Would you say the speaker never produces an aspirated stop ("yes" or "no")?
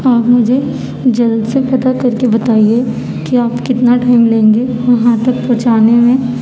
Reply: yes